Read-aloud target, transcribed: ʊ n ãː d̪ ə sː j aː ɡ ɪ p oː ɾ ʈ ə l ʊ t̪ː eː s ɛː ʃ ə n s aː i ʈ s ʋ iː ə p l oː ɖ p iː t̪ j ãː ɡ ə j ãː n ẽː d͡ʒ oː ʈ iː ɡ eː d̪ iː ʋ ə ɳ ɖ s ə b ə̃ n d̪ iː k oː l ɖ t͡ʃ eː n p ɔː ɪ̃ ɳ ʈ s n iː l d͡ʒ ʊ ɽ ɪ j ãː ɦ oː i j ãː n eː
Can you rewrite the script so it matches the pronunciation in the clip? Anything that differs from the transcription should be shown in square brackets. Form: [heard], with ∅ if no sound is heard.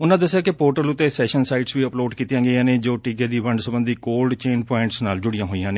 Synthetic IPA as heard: ʊ n ãː d̪ ə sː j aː [k] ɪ p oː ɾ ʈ ə l ʊ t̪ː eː s ɛː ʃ ə n s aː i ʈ s ʋ iː ə p l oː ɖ [k] iː t̪ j ãː ɡ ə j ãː n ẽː d͡ʒ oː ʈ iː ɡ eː d̪ iː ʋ ə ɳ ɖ s ə b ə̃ n d̪ iː k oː l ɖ t͡ʃ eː n p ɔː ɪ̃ ɳ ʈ s n [aː] l d͡ʒ ʊ ɽ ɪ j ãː ɦ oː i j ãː n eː